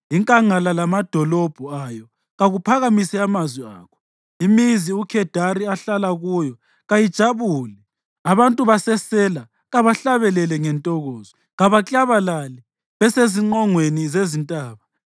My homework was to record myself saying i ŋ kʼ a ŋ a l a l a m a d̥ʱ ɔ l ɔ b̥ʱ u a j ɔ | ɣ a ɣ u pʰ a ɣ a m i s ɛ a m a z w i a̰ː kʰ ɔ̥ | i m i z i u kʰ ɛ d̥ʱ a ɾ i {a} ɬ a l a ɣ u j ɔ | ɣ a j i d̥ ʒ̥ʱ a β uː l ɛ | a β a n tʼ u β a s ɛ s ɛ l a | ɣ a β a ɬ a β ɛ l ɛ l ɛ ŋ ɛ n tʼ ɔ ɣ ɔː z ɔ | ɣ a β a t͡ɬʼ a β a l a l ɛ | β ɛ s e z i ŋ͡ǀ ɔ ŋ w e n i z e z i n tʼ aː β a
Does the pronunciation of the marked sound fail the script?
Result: no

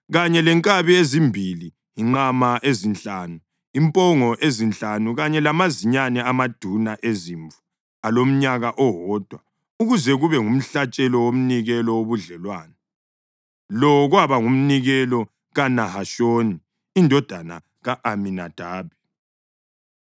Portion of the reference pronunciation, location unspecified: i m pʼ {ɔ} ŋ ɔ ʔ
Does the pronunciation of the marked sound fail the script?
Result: no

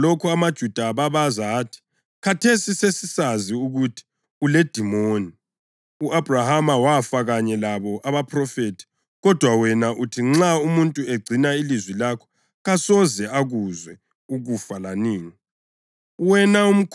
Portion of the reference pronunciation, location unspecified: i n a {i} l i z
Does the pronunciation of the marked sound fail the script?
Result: no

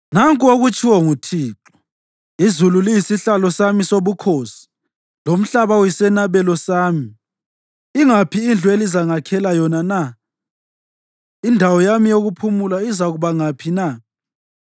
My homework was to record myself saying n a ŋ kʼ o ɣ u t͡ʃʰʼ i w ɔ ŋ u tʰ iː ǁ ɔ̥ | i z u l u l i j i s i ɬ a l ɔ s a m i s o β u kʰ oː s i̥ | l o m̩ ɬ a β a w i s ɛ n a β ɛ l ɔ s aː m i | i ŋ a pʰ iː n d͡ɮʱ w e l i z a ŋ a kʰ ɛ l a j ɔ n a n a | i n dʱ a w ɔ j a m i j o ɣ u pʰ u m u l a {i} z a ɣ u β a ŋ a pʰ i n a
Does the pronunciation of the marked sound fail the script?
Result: no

